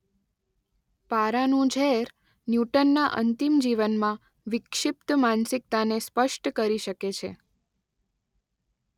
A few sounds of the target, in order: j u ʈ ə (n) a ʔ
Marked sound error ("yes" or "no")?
yes